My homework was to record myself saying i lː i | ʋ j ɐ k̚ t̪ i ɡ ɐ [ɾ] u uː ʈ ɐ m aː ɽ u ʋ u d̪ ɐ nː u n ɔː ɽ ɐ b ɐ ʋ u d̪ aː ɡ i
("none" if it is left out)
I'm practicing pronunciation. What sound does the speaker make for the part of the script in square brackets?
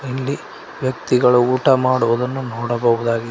ɭ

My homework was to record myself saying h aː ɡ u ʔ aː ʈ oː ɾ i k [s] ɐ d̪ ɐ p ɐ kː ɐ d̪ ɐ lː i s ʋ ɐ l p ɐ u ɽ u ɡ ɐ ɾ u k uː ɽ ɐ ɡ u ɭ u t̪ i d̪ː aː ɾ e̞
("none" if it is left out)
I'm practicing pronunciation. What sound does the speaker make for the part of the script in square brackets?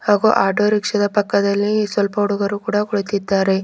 ʂ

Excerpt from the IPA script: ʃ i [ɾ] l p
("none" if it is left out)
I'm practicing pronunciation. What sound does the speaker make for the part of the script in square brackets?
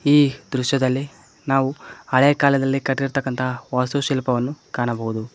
none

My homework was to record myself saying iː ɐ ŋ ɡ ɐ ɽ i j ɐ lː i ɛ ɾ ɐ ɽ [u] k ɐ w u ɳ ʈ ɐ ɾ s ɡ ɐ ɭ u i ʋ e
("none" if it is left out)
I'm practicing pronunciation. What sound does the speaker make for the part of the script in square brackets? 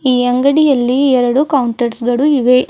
u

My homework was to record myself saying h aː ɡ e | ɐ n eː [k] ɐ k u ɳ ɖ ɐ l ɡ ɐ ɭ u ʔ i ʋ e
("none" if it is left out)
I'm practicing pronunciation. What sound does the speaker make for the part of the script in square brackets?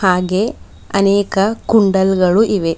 k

